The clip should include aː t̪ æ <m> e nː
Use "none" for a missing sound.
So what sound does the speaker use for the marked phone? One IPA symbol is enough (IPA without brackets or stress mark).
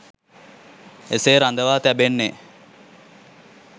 b